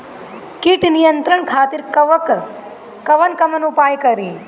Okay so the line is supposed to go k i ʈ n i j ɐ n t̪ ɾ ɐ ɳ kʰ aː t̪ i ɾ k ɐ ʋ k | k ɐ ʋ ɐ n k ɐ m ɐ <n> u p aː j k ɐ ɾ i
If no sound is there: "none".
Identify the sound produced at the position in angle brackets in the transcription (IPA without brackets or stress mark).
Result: n